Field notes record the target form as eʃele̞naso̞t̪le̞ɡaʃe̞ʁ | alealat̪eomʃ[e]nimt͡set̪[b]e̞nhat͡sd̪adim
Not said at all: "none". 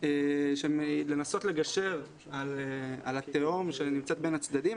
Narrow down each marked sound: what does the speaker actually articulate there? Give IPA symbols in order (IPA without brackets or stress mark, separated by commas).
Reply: e, b